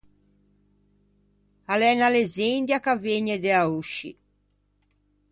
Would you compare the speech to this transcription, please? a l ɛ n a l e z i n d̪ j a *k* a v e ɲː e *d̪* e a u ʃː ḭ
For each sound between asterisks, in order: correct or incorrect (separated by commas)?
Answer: correct, correct